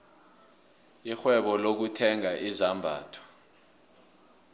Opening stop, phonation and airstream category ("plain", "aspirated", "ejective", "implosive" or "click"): implosive